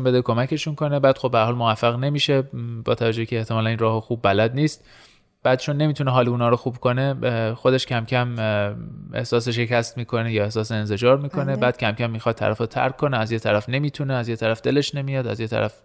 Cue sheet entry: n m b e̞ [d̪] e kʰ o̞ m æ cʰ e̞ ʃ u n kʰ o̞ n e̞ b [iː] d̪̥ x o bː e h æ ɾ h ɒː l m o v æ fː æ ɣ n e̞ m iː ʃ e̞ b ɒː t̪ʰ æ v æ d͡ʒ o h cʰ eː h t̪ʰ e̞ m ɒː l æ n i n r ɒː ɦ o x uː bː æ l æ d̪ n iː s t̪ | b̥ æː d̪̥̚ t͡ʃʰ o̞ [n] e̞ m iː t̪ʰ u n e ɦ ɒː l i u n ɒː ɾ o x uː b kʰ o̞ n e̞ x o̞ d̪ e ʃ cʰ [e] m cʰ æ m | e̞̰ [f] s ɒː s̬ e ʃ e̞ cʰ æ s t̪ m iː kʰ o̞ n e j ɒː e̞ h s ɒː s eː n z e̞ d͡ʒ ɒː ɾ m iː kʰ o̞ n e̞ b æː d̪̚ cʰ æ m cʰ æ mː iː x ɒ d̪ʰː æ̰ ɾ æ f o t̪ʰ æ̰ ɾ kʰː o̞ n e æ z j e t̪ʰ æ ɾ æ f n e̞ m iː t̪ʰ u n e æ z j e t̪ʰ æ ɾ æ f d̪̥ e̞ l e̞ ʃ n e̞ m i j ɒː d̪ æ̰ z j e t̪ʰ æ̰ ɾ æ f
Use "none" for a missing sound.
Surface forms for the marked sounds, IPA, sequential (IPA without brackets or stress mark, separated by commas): d̪, æː, nː, æ, h